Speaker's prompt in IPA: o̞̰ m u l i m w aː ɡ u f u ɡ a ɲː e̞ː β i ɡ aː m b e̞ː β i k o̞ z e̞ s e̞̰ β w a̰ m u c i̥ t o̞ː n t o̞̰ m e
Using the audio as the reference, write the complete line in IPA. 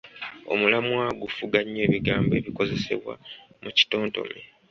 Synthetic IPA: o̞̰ m u l a m w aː ɡ u f u ɡ a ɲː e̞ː β i ɡ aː m b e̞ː β i k o̞ z e̞ s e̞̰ β w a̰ m u c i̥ t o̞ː n t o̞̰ m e